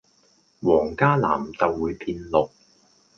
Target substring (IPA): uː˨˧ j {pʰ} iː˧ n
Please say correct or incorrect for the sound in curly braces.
correct